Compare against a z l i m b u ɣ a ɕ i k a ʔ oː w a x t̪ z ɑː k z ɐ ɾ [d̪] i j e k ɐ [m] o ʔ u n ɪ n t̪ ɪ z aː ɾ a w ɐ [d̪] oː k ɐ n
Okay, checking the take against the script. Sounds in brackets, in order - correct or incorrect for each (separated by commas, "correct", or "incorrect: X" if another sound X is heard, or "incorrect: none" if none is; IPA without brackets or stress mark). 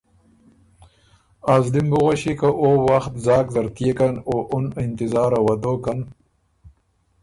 incorrect: t̪, incorrect: n, correct